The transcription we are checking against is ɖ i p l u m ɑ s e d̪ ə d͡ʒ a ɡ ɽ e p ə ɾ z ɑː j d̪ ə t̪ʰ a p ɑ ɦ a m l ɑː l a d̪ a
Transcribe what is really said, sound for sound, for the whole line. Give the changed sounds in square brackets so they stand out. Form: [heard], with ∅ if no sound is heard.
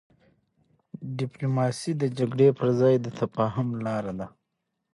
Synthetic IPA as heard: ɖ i p l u m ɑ s [i] d̪ ə d͡ʒ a ɡ ɽ e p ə ɾ z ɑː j d̪ ə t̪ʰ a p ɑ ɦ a m l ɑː [ɾ] a d̪ a